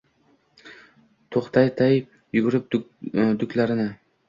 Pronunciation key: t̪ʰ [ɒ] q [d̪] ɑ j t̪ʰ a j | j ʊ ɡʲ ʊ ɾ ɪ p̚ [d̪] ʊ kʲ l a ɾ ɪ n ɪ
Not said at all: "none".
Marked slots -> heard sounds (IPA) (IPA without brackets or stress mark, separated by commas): o, t̪, d̪